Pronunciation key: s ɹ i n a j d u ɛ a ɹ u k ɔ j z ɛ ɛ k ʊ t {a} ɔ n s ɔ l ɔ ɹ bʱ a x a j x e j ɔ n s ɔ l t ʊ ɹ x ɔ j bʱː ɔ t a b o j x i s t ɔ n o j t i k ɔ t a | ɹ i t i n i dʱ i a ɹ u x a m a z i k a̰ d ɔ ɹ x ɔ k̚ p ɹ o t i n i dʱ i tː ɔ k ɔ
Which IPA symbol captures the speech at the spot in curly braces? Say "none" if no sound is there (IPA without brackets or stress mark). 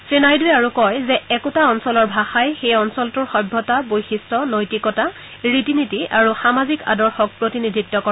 a